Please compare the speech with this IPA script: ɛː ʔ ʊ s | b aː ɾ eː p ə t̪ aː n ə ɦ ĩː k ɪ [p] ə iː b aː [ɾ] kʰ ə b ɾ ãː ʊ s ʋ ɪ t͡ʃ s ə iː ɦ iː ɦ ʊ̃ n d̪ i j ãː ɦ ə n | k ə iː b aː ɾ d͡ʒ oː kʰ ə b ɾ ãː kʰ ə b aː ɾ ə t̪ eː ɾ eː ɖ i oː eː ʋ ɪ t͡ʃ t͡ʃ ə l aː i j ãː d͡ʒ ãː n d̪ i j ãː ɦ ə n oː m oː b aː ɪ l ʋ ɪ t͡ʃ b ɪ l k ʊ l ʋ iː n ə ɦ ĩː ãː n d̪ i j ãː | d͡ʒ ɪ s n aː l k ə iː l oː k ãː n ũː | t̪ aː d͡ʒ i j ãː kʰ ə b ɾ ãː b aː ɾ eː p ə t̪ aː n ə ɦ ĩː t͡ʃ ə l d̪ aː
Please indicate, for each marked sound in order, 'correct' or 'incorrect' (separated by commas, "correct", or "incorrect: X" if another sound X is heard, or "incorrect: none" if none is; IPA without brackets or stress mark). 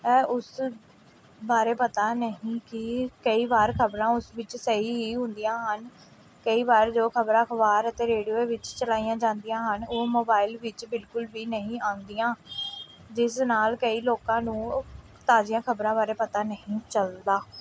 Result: incorrect: k, correct